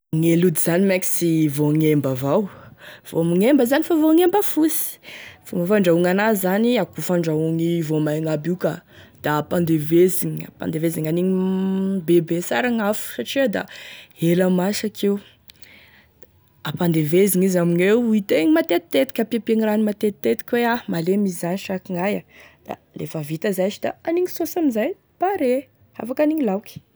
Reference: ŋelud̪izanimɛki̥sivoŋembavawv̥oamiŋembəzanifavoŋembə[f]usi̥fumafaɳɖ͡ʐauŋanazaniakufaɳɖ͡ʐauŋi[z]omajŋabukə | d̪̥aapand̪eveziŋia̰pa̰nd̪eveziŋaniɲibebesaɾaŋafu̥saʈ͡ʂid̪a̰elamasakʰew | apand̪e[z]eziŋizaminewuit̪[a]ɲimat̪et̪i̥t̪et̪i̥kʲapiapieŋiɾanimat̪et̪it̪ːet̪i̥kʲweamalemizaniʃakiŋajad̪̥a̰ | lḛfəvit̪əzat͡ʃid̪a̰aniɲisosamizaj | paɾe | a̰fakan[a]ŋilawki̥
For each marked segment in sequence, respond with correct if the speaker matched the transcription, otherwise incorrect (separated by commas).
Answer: correct, incorrect, incorrect, incorrect, incorrect